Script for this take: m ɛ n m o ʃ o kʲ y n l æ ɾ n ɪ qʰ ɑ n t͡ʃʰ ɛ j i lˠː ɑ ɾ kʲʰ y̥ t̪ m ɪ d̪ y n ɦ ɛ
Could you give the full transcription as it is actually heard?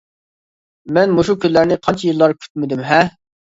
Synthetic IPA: m ɛ n m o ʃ u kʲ y n l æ ɾ n ɪ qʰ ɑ n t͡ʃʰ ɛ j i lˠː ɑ ɾ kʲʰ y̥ t̪ m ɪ d̪ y m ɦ ɛ